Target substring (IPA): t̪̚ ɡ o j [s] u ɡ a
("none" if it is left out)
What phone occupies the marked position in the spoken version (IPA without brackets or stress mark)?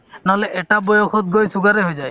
s